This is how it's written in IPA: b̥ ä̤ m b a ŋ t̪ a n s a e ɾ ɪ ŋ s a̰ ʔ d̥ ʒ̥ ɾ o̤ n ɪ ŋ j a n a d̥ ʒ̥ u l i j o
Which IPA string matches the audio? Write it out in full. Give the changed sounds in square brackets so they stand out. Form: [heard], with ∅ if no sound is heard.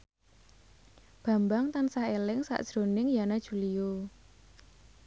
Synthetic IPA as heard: b̥ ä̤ m b a ŋ t̪ a n s a e [l] ɪ ŋ s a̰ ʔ d̥ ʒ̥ ɾ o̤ n ɪ ŋ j a n a d̥ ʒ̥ u l i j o